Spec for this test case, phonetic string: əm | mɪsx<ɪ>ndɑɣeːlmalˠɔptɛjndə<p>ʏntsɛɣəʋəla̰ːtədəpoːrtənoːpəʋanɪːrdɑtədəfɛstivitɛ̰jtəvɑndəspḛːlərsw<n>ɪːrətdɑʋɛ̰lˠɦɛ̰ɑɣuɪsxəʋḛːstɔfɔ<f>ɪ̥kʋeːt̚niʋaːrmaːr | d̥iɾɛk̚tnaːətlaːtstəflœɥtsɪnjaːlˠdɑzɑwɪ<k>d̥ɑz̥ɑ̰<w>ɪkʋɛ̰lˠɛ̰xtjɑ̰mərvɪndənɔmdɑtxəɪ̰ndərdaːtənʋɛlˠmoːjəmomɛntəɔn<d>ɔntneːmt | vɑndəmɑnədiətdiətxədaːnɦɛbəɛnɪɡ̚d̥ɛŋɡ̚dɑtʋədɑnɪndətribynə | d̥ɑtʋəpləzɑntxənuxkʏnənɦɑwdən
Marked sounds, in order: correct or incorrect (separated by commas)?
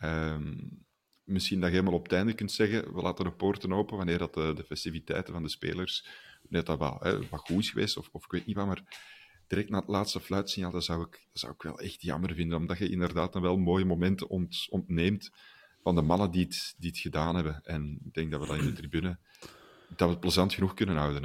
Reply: incorrect, incorrect, correct, correct, correct, correct, incorrect